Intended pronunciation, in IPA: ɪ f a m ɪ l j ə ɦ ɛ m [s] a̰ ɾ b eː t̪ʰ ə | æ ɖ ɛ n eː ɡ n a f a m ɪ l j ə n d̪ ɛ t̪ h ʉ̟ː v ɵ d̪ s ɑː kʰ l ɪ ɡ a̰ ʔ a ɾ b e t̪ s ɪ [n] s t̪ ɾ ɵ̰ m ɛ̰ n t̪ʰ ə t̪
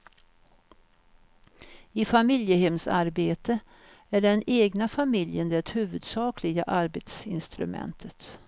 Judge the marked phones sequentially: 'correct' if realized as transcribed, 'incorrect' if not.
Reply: correct, correct

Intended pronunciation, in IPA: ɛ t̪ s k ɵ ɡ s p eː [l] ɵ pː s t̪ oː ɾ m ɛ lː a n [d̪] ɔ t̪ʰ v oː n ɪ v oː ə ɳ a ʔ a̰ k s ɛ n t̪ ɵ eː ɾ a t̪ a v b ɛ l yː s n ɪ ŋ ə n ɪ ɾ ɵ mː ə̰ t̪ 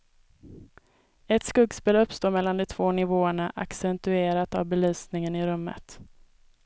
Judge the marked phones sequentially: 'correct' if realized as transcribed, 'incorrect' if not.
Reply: correct, correct

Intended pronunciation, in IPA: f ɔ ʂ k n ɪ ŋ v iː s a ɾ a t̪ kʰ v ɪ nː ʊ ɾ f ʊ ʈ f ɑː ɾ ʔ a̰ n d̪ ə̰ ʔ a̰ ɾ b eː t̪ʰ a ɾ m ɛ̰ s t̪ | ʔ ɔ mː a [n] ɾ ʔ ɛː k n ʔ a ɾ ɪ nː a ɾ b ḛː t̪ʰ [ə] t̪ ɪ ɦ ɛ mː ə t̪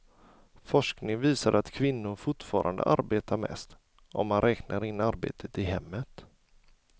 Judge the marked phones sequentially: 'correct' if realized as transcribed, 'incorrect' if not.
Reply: correct, correct

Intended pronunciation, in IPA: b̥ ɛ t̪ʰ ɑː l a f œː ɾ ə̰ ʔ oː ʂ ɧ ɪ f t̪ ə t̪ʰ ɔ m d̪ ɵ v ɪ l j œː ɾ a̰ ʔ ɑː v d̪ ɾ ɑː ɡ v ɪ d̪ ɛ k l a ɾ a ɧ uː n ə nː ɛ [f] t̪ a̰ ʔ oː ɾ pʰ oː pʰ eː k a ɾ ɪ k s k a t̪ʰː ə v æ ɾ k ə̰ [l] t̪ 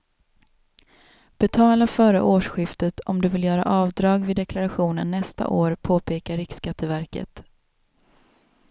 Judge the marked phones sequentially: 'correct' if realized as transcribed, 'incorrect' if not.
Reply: incorrect: s, incorrect: none

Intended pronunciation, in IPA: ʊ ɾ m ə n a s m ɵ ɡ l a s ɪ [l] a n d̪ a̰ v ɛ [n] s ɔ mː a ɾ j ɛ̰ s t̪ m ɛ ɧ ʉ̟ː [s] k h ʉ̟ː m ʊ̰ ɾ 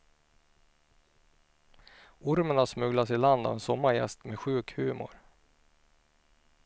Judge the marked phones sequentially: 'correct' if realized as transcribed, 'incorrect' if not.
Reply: correct, correct, incorrect: none

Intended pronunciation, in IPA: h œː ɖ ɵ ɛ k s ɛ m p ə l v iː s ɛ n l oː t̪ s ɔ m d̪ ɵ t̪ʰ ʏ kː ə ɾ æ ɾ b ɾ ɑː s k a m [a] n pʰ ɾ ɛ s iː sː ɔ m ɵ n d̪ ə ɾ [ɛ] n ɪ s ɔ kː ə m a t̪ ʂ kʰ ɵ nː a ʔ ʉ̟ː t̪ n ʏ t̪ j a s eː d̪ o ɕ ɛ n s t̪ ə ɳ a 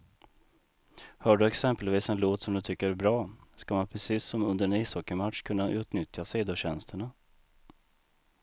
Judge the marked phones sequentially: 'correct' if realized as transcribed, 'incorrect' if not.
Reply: correct, correct

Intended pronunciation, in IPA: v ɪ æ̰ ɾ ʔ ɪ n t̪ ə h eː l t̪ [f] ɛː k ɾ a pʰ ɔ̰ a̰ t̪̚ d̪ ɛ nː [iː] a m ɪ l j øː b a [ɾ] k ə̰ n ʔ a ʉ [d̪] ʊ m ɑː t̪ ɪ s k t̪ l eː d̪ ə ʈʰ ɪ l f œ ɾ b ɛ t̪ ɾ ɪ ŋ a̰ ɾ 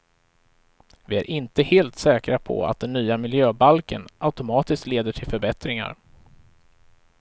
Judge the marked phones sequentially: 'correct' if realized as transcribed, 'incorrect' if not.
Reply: incorrect: s, incorrect: yː, incorrect: l, incorrect: t̪

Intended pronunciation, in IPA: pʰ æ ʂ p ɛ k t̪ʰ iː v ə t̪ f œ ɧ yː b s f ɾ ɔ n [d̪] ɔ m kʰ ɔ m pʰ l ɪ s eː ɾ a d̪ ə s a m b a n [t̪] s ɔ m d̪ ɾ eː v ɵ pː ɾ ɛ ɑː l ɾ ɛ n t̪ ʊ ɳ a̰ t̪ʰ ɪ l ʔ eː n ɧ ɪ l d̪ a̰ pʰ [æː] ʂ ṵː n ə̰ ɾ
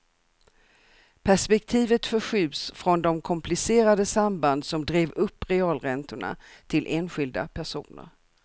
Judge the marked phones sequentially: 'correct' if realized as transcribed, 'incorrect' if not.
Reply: correct, incorrect: d̪, incorrect: æ

